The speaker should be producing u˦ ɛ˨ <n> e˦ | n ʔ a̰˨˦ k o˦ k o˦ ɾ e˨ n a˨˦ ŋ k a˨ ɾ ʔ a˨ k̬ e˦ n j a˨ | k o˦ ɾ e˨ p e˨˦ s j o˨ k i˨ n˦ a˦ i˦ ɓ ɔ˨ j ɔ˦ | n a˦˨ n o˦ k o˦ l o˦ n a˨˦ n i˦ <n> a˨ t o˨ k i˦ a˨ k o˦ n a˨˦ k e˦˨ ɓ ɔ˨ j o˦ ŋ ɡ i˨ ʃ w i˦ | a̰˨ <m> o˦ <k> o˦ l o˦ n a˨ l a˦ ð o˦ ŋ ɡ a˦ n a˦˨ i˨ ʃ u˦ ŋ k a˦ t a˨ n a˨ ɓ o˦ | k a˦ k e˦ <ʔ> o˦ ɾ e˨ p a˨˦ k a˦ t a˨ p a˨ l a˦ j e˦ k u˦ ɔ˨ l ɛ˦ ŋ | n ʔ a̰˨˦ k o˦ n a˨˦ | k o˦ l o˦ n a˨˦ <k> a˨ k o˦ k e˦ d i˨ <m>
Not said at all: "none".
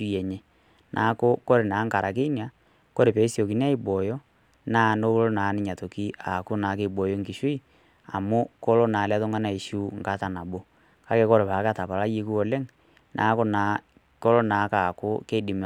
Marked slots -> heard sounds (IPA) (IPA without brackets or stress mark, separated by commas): ɲ, ɲ, m, k, k, k, m